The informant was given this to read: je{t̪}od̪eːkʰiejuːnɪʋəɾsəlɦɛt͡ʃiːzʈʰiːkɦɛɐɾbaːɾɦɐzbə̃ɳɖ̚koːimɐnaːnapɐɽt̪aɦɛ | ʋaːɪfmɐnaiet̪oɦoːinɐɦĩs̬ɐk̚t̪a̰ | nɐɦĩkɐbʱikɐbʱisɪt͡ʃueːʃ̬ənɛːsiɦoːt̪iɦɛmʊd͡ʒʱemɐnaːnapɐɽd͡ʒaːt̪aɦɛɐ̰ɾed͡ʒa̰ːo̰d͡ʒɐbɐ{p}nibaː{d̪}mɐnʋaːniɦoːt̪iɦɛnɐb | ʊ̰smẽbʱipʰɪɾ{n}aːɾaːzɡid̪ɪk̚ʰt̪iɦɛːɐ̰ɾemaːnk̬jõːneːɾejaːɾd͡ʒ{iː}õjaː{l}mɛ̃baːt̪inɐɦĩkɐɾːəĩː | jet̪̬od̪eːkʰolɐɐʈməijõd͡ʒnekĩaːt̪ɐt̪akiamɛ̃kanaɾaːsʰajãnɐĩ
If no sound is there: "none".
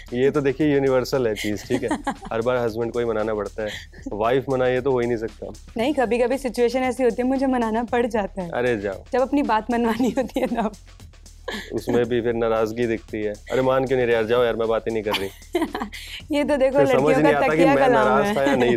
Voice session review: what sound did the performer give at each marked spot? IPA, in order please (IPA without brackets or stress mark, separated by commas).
t̪, p, t̪, n, aː, ɾ